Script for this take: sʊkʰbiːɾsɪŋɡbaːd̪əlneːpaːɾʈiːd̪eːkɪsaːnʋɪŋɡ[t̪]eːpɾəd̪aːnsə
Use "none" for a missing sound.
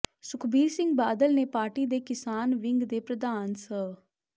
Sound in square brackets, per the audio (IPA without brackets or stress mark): d̪